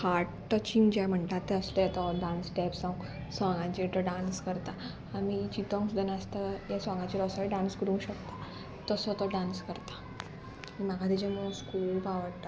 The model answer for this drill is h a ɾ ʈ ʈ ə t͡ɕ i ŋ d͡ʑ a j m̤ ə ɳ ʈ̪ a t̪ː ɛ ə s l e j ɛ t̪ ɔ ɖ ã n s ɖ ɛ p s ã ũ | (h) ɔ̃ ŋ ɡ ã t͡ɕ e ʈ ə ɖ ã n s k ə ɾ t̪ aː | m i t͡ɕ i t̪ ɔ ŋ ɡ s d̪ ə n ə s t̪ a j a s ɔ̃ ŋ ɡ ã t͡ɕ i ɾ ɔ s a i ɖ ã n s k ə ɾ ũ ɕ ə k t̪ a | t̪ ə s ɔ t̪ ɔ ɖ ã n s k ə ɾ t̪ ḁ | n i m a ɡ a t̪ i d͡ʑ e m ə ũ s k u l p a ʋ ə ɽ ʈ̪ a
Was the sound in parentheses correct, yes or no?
no